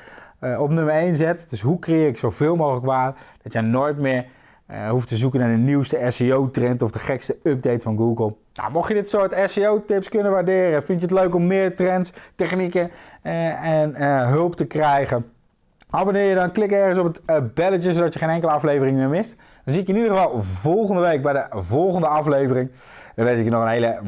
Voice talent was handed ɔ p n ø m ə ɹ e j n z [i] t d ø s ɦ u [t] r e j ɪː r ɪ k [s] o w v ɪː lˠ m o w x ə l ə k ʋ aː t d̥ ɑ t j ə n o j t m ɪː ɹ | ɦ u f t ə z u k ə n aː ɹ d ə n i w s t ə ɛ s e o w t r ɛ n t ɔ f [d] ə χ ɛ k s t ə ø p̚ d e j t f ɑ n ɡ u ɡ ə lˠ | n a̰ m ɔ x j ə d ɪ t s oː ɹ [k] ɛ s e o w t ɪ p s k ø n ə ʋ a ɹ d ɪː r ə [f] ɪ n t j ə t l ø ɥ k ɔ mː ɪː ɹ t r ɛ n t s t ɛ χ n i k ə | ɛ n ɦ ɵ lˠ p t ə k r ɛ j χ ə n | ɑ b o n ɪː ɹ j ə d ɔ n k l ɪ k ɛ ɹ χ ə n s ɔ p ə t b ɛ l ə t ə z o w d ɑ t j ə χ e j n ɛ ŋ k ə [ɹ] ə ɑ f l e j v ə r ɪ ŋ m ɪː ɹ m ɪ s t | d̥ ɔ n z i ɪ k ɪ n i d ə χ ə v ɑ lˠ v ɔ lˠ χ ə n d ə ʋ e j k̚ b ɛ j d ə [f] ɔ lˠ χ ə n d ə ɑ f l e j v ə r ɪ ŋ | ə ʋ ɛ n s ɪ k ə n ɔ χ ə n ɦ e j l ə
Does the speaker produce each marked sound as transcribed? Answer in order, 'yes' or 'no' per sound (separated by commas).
no, no, yes, yes, no, yes, no, no